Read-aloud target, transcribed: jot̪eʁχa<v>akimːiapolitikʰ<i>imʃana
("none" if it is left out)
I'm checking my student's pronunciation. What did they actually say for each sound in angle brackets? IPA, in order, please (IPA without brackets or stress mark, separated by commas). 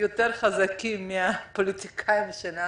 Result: z, a